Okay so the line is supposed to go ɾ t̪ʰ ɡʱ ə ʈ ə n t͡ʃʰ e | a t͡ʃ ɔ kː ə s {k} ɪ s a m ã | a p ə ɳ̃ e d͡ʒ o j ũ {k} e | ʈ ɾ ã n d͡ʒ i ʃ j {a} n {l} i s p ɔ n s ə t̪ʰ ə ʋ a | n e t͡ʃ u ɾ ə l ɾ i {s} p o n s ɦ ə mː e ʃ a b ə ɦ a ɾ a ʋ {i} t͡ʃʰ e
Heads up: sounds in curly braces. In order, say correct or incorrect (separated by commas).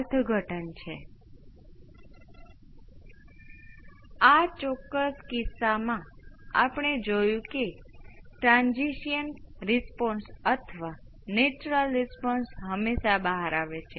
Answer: correct, correct, incorrect, incorrect, correct, incorrect